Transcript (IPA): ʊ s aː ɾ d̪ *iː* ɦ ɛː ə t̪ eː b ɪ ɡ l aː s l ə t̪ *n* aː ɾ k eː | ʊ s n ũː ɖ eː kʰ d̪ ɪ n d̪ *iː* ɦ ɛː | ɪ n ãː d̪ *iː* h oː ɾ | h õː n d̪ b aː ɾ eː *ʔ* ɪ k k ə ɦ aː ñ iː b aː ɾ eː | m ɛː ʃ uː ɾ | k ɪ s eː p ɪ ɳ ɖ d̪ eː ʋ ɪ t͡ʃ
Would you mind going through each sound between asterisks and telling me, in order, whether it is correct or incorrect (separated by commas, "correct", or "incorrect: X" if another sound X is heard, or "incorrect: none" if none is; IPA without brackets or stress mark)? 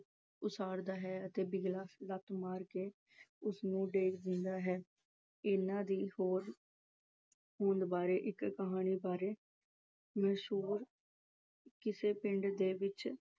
incorrect: aː, incorrect: m, incorrect: aː, correct, correct